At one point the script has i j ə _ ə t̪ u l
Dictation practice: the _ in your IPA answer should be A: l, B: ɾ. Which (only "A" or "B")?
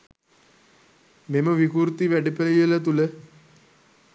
A